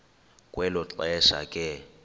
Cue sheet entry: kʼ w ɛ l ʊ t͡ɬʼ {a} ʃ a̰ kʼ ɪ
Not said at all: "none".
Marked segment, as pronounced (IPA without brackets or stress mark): ɛ